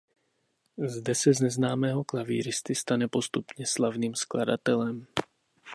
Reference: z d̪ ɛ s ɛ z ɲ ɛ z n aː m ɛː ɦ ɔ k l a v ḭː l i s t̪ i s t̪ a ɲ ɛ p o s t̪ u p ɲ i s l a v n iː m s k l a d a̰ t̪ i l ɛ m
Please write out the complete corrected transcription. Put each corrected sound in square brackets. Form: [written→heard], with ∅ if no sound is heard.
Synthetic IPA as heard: z d̪ ɛ s ɛ z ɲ ɛ z n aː m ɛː ɦ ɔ k l a v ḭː [l→ɾ] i s t̪ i s t̪ a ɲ ɛ p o s t̪ u p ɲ [i→ɛ] s l a v n iː m s k l a d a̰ t̪ [i→ɛ] l ɛ m